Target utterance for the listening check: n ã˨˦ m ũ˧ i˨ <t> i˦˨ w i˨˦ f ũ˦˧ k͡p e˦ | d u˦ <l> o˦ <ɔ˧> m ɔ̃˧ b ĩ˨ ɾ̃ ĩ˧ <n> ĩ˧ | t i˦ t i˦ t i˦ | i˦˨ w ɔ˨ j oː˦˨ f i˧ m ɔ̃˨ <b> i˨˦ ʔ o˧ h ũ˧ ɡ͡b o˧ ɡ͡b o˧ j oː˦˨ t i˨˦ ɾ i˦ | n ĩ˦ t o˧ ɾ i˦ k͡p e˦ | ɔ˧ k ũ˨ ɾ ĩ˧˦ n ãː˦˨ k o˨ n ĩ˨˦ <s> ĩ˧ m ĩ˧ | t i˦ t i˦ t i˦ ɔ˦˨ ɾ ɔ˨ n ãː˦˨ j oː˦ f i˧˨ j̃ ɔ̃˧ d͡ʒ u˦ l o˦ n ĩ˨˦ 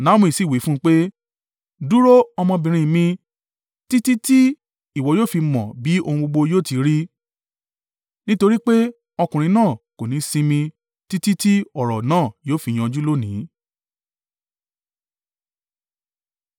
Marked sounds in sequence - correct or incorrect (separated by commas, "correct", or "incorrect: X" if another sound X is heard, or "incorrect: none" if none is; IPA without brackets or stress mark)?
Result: incorrect: s, incorrect: ɾ, correct, incorrect: m, correct, correct